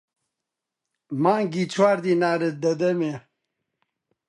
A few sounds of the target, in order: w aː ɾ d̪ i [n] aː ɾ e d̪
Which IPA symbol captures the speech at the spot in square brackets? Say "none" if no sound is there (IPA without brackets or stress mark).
n